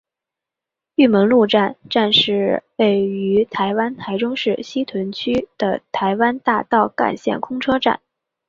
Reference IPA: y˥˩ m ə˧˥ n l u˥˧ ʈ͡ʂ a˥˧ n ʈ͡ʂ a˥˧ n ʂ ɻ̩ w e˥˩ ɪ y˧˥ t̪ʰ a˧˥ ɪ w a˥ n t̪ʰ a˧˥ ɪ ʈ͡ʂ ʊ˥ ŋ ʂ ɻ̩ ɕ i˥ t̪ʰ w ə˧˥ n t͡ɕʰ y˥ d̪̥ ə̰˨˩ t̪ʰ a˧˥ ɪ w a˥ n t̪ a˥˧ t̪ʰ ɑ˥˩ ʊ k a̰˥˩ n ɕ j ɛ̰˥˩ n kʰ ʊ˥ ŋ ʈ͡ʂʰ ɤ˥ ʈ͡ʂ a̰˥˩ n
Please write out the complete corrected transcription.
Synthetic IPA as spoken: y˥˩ m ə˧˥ n l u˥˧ ʈ͡ʂ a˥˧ n ʈ͡ʂ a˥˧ n ʂ ɻ̩ w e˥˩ ɪ y˧˥ t̪ʰ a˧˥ ɪ w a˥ n t̪ʰ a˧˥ ɪ ʈ͡ʂ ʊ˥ ŋ ʂ ɻ̩ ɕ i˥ t̪ʰ w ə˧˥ n t͡ɕʰ y˥ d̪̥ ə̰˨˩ t̪ʰ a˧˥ ɪ w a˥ n t̪ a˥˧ t̪ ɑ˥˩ ʊ k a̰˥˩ n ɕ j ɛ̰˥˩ n kʰ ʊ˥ ŋ ʈ͡ʂʰ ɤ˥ ʈ͡ʂ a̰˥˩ n